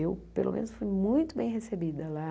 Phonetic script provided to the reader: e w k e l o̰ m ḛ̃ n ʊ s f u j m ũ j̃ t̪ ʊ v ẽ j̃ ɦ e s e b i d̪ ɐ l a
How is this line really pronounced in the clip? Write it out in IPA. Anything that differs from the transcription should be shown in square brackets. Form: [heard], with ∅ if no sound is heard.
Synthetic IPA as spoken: e w [p] e l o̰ m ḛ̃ n ʊ s f u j m ũ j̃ t̪ ʊ [b] ẽ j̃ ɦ e s e b i d̪ ɐ l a